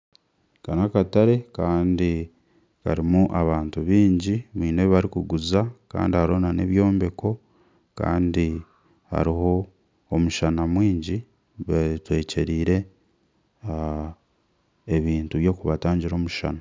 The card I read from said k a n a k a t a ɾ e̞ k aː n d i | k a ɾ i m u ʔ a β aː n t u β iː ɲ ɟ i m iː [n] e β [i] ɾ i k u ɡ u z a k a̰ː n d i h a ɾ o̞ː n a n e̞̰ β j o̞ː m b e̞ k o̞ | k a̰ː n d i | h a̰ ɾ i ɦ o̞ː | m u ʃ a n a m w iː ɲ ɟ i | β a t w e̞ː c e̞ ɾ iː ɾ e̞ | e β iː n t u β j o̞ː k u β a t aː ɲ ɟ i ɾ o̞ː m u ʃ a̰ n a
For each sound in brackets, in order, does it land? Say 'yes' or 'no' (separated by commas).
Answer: yes, no